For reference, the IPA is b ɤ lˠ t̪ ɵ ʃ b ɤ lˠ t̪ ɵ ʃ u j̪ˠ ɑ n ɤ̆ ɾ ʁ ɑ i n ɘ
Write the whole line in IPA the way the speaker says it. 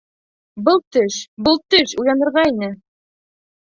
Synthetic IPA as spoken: b ɤ lˠ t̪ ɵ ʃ b ɤ lˠ t̪ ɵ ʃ u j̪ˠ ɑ n ɤ̆ ɾ ʁ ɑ i n ɘ